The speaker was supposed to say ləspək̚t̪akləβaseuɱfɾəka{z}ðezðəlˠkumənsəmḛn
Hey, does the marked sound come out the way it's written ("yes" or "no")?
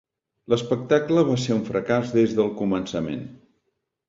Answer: yes